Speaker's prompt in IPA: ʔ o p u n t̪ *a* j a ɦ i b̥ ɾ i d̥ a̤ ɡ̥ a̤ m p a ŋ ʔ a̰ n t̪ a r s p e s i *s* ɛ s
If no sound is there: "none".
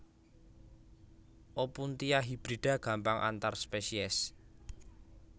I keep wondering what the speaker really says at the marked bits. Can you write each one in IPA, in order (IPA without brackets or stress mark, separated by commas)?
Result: i, none